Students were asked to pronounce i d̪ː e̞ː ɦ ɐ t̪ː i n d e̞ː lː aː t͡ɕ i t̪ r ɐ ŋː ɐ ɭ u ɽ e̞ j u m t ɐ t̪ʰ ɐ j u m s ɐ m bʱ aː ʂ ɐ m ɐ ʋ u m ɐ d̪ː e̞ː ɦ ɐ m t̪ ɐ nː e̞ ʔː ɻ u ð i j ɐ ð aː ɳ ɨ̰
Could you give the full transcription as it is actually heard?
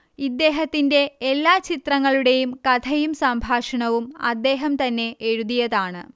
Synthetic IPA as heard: i d̪ː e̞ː ɦ ɐ t̪ː i n d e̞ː lː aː t͡ɕ i t̪ r ɐ ŋː ɐ ɭ u ɽ e̞ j u m k ɐ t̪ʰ ɐ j u m s ɐ m bʱ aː ʂ ɐ ɳ ɐ ʋ u m ɐ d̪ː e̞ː ɦ ɐ m t̪ ɐ nː e̞ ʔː ɻ u ð i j ɐ ð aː ɳ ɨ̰